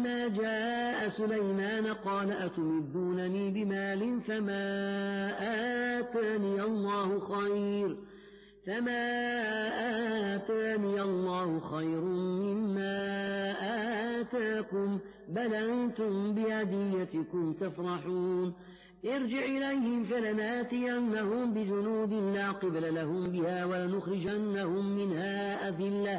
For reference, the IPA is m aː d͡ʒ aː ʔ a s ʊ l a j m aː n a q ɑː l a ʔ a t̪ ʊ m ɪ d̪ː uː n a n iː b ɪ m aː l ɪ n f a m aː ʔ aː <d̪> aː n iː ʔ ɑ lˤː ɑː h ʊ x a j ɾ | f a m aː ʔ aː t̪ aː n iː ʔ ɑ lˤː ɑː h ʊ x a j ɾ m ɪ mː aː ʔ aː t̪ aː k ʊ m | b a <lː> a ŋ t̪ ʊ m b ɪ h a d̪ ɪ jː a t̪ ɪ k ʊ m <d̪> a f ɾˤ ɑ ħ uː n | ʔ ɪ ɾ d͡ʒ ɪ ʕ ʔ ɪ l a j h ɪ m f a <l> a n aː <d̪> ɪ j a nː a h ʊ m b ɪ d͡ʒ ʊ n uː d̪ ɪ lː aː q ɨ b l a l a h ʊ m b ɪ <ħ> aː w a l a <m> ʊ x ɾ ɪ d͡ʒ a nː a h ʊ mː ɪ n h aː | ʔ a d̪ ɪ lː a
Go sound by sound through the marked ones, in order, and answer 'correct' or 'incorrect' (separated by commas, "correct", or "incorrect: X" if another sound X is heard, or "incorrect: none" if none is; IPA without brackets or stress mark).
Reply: incorrect: t̪, incorrect: l, incorrect: t̪, correct, incorrect: t̪, incorrect: h, incorrect: n